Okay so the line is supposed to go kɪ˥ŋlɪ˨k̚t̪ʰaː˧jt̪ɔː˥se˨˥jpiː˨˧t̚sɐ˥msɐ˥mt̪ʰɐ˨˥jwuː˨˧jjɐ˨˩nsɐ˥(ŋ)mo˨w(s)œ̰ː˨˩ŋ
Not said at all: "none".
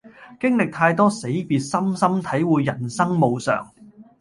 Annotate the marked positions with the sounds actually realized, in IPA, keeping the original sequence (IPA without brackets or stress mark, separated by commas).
ŋ, s